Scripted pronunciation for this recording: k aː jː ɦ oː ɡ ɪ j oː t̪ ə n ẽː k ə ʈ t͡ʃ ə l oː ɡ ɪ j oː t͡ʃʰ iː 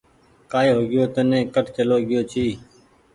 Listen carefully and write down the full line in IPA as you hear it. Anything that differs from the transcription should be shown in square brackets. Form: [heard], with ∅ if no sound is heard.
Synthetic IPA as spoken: k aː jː ɦ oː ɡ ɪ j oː t̪ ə n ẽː k ə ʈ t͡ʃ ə l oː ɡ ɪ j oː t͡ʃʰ iː